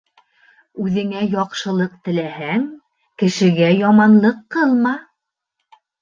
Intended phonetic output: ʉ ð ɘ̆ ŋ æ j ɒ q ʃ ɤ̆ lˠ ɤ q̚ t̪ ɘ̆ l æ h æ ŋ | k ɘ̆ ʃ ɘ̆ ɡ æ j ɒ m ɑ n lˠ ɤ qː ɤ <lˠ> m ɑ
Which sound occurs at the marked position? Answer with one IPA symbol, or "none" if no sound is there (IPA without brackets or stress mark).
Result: lˠ